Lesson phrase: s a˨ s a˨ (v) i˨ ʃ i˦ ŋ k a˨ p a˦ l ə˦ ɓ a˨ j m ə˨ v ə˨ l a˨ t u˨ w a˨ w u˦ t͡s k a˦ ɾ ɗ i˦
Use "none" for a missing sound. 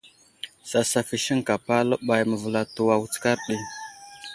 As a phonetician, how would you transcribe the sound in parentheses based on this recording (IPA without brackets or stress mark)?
f